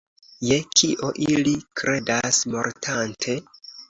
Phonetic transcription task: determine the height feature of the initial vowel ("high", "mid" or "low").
mid